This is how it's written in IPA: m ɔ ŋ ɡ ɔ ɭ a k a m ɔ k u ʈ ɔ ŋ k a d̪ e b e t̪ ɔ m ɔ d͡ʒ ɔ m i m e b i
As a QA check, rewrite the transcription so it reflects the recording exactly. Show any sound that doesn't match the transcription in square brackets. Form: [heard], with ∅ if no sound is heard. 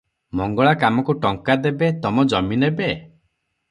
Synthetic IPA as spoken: m ɔ ŋ ɡ ɔ ɭ a k a m ɔ k u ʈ ɔ ŋ k a d̪ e b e t̪ ɔ m ɔ d͡ʒ ɔ m i [n] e b [e]